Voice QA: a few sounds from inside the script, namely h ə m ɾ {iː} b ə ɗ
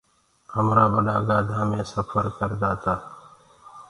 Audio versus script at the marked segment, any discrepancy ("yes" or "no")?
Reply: yes